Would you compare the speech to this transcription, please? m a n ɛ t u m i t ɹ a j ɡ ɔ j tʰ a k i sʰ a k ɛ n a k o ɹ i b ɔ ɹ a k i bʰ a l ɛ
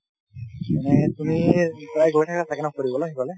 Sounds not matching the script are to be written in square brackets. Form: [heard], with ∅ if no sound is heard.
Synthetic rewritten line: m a n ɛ t u m i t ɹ a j ɡ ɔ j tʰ a k [a] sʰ a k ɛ n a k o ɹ i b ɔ [l] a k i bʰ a l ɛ

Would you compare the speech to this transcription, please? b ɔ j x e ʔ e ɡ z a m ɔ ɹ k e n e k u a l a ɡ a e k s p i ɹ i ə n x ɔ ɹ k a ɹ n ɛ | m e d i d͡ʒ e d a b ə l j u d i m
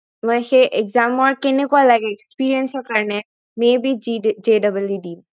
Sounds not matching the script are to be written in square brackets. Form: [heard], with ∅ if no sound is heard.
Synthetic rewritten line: [m] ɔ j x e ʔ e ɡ z a m ɔ ɹ k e n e k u a l a ɡ [ɛ] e k s p i ɹ i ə n [s] ɔ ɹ k a ɹ n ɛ | m e [b] i d͡ʒ e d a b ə l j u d i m

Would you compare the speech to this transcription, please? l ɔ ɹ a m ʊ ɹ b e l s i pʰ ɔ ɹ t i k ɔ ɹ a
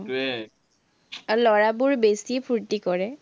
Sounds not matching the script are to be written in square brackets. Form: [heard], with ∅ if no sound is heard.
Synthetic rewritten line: l ɔ ɹ a [b] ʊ ɹ b e [∅] s i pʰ [u] ɹ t i k ɔ ɹ [ɛ]

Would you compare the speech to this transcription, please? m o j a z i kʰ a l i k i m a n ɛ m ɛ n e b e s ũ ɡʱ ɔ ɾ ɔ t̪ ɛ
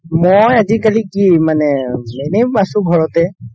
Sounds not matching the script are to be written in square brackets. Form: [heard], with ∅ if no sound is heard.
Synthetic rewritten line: m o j a z i [k] a l i k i m a n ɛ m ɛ n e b [a] s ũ ɡʱ ɔ [ɹ] ɔ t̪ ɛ

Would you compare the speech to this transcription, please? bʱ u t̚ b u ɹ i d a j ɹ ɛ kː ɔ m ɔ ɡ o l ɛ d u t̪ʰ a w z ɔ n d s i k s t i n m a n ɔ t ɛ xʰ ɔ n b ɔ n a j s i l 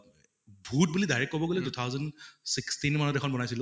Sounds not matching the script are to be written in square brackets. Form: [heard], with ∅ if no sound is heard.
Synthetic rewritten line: bʱ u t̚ b u [l] i d a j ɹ ɛ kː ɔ [b] ɔ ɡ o l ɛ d u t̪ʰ a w z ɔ n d s i k s t i n m a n ɔ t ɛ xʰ ɔ n b ɔ n a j s i l

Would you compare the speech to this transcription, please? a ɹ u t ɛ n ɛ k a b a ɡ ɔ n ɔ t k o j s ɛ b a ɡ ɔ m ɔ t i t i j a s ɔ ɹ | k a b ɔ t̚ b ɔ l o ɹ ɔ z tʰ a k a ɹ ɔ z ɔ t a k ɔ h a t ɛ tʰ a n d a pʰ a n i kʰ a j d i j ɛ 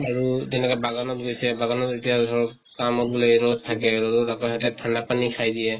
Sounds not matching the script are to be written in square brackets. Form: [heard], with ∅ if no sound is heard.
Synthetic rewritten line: a ɹ u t ɛ n ɛ k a b a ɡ ɔ n ɔ t [ɡ] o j s ɛ b a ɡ ɔ [n] ɔ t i t i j a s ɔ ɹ | k a [m] ɔ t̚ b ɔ l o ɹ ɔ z tʰ a k [ɛ] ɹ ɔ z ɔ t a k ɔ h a t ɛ tʰ a n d a [p] a n i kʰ a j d i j ɛ

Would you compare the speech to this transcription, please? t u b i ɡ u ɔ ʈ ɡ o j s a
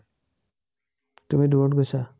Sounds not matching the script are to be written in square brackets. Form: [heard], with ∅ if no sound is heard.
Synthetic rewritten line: t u [m] i [d] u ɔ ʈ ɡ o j s a

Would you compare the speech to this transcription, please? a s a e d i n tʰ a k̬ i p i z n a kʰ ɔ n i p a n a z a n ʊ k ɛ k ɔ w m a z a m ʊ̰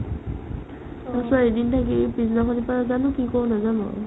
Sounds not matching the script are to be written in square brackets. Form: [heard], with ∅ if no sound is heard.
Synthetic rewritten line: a s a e d i n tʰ a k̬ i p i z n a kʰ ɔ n i p a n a z a n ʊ k [i] k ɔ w [n] a z a [n] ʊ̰

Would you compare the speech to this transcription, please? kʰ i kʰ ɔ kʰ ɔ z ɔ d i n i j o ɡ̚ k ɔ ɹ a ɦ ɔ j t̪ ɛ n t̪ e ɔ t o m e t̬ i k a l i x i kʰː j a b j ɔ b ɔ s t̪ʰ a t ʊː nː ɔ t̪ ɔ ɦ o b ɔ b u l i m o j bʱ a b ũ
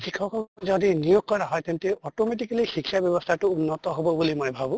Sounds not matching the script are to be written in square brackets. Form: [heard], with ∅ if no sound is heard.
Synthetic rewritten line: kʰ i kʰ ɔ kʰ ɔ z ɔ d i n i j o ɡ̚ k ɔ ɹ a ɦ ɔ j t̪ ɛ n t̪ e ɔ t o m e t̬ i k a l i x i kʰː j a b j ɔ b ɔ s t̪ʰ a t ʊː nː ɔ t̪ ɔ ɦ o b ɔ b u l i m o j bʱ a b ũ

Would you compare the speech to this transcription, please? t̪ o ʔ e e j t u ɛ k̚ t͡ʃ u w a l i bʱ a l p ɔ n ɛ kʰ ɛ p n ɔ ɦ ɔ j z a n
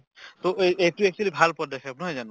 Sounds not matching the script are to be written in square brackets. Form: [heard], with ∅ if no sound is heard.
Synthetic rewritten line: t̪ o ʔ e e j t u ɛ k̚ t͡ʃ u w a l i bʱ a l p ɔ [d] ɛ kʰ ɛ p n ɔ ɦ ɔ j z a n

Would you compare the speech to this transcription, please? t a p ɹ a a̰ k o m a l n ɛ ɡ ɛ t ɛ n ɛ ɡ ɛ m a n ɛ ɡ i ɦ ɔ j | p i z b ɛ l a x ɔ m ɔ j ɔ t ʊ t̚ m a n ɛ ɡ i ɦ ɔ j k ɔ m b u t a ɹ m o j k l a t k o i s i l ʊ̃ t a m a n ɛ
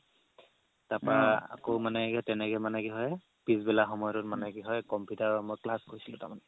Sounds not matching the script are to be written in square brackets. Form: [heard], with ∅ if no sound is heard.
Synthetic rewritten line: t a p ɹ a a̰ k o m a [∅] n ɛ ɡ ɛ t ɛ n ɛ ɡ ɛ m a n ɛ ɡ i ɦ ɔ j | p i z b ɛ l a x ɔ m ɔ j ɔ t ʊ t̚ m a n ɛ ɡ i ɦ ɔ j k ɔ m [p] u t a ɹ m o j k l a [s] k o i s i l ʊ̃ t a m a n ɛ

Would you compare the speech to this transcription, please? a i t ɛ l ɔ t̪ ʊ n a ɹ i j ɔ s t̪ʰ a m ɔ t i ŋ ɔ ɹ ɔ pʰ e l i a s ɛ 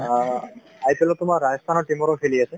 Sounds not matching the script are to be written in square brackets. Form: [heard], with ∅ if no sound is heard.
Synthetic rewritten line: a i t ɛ l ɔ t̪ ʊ [m] a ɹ [a] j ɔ s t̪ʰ a [n] ɔ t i [m] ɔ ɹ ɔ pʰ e l i a s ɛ

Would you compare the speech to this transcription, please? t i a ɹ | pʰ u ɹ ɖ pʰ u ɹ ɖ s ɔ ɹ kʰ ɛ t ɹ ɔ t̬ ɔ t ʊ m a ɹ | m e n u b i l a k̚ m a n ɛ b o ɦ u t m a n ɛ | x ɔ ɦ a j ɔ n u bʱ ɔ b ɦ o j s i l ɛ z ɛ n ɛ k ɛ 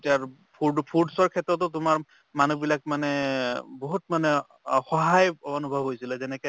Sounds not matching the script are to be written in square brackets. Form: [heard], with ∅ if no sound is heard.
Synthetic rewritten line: t i a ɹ | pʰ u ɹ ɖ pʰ u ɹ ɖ s ɔ ɹ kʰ ɛ t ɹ ɔ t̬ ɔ t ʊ m a ɹ | m [a] n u b i l a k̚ m a n ɛ b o ɦ u t m a n ɛ | x ɔ ɦ a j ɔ n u bʱ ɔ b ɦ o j s i l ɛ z ɛ n ɛ k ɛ

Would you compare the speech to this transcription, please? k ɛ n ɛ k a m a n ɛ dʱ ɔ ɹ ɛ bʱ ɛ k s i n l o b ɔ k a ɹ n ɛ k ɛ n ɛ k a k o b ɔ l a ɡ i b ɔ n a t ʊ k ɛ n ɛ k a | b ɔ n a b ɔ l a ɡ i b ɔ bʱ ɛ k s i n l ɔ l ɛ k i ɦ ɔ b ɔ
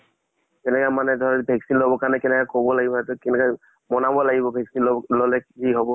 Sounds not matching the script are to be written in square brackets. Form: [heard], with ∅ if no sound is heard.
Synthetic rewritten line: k ɛ n ɛ k a m a n ɛ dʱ ɔ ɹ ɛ bʱ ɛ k s i n l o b ɔ k a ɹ n ɛ k ɛ n ɛ k a k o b ɔ l a ɡ i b ɔ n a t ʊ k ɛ n ɛ k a | [m] ɔ n a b ɔ l a ɡ i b ɔ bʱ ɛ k s i n l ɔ l ɛ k i ɦ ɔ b ɔ

